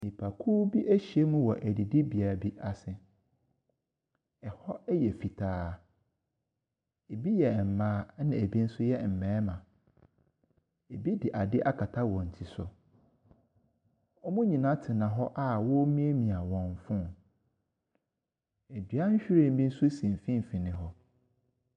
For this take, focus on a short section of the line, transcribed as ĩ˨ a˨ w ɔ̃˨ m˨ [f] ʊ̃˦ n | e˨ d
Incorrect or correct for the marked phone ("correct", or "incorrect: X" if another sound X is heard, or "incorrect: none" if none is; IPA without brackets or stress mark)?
correct